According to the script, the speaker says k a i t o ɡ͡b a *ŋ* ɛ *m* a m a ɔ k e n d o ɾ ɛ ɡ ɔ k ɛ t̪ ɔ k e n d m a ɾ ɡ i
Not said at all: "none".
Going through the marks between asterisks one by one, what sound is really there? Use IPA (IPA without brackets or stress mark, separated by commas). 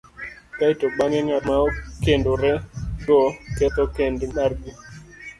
ŋ, ŋ